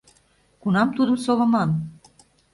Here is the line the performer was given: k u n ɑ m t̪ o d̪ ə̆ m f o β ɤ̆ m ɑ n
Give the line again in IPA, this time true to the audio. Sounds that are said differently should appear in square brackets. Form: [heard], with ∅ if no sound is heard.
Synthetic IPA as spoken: k u n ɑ m t̪ [u] d̪ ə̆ m [s] o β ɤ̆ m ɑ n